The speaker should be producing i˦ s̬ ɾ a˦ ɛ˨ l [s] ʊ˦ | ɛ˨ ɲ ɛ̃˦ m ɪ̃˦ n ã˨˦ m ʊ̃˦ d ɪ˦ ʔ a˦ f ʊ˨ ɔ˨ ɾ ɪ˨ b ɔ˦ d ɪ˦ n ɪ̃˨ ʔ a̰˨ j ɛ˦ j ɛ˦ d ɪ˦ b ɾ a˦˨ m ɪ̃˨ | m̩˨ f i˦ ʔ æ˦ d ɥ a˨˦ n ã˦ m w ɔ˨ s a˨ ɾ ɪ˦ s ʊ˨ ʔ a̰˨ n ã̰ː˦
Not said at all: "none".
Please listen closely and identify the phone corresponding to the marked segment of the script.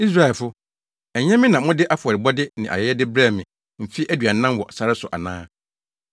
f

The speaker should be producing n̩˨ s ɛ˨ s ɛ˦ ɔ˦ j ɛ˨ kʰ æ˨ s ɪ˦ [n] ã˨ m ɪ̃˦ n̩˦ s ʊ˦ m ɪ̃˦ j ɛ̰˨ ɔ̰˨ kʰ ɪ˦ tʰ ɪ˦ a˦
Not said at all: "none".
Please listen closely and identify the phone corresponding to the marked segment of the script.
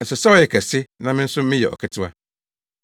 n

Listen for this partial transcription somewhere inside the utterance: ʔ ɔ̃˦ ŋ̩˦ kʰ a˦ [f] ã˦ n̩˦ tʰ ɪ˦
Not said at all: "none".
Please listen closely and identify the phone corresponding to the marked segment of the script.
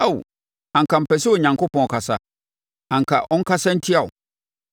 s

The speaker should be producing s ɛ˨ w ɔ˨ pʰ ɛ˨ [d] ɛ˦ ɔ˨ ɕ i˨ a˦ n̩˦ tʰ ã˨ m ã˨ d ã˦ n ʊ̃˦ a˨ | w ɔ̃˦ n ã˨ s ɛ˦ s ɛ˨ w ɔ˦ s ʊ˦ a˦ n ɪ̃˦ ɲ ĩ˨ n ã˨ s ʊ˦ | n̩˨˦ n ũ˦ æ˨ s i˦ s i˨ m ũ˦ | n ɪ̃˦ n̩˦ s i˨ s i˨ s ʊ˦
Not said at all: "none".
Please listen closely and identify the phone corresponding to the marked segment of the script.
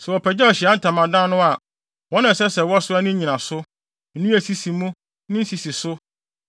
d͡ʑ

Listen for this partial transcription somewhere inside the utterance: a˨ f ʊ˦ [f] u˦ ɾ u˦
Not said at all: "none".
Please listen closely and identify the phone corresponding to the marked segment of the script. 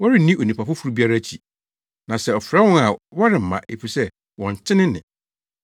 f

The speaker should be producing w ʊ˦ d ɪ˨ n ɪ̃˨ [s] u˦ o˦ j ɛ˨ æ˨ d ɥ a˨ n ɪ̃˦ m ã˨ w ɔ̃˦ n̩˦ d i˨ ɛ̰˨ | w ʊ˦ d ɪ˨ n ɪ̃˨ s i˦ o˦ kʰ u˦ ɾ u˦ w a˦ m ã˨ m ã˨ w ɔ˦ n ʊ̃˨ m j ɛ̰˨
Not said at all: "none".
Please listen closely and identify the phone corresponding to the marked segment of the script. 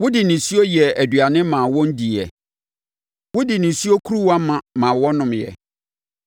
s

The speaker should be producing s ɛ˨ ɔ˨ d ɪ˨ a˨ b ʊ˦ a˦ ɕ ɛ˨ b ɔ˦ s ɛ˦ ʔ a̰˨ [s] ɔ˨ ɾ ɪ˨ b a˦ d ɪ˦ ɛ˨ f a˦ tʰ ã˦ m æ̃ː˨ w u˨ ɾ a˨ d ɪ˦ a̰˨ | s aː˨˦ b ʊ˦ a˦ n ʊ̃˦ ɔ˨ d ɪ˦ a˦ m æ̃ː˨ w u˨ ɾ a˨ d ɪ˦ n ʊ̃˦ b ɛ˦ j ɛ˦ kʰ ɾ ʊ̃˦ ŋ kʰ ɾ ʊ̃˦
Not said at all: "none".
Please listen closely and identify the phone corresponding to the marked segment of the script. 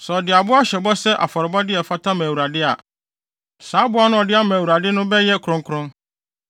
f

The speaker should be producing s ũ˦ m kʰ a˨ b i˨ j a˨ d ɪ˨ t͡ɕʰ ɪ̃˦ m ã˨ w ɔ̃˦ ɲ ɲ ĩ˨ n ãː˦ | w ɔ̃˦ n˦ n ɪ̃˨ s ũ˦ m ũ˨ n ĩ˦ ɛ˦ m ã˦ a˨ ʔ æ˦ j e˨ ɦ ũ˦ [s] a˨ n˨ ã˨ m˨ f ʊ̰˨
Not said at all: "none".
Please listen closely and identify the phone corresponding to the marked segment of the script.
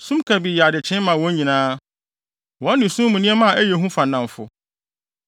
f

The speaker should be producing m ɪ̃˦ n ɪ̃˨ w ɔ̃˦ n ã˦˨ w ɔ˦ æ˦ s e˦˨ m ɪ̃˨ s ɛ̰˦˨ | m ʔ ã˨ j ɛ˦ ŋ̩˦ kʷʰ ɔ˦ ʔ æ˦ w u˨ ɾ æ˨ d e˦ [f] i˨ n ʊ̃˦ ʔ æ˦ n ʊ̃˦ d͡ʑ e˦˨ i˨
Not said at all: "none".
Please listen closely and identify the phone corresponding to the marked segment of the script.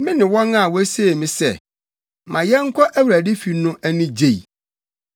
f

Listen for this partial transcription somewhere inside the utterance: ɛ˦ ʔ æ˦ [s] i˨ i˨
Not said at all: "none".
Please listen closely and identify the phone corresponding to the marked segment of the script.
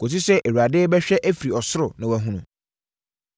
f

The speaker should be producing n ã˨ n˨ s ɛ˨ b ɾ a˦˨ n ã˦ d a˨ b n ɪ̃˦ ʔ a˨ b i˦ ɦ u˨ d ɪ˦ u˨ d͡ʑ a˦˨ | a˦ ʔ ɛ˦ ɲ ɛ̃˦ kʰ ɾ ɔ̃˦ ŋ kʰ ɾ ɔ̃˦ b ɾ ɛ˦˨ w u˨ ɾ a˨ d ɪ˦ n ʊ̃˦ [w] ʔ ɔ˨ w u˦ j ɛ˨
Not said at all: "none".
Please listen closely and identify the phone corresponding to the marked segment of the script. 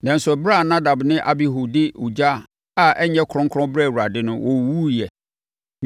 w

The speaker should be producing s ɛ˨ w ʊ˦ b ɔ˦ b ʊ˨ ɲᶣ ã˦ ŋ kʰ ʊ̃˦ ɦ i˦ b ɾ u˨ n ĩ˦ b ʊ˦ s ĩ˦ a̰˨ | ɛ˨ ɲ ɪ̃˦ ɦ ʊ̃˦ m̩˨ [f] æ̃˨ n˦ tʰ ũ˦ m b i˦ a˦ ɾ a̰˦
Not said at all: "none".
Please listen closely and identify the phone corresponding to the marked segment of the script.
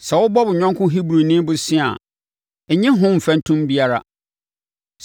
f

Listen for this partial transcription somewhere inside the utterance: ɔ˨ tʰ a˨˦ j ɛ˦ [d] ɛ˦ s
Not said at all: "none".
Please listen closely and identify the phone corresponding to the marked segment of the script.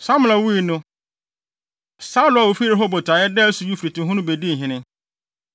d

